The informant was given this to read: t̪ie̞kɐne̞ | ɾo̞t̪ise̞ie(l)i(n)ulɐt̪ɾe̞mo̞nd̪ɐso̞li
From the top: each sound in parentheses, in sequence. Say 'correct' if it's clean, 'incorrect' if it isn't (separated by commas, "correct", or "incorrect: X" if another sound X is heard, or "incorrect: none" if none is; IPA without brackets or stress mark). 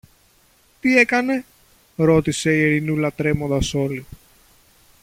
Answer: incorrect: ɾ, correct